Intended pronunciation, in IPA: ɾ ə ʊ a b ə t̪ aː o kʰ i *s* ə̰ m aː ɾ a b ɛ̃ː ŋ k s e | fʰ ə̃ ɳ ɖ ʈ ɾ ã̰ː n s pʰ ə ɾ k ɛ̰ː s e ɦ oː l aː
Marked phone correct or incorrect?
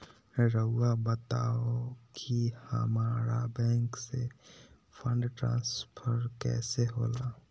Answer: incorrect